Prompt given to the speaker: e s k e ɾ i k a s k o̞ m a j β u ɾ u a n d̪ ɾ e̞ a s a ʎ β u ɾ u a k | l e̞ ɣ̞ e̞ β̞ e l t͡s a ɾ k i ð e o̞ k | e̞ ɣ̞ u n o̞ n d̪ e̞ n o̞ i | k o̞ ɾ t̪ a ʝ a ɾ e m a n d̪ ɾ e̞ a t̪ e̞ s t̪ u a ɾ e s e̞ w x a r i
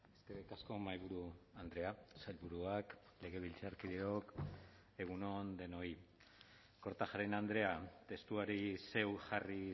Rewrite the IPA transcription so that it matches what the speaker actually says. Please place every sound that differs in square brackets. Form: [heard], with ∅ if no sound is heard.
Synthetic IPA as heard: e s k e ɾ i k a s k o̞ m a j β u ɾ u a n d̪ ɾ e̞ a s a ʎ β u ɾ u a k | l e̞ ɣ̞ e̞ β̞ [i] l t͡s a ɾ k i ð e o̞ k | e̞ ɣ̞ u n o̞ n d̪ e̞ n o̞ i | k o̞ ɾ t̪ a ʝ a ɾ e [n] a n d̪ ɾ e̞ a t̪ e̞ s t̪ u a ɾ [i] s e̞ w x a r i